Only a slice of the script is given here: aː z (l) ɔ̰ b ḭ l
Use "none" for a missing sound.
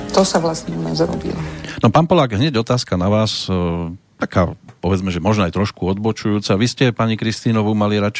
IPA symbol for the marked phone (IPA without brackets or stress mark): ɾ